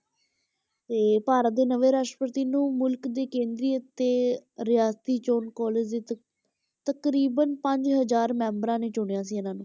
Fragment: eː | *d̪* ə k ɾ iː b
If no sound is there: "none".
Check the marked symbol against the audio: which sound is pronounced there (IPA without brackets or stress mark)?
t̪